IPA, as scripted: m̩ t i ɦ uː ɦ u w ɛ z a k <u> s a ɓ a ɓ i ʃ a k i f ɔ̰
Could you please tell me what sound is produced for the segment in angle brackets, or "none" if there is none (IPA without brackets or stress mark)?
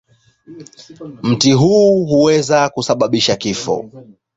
u